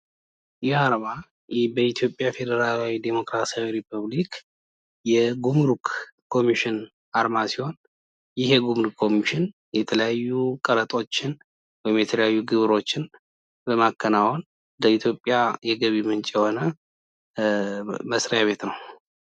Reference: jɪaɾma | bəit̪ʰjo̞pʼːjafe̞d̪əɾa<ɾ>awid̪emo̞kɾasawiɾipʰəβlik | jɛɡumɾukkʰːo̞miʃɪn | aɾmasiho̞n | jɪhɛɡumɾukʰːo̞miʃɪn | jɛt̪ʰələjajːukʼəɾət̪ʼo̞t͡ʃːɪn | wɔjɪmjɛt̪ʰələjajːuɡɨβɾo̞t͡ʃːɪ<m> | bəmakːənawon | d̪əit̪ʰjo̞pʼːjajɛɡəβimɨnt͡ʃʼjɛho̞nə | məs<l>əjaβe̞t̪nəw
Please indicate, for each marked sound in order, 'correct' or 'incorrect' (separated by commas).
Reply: incorrect, incorrect, incorrect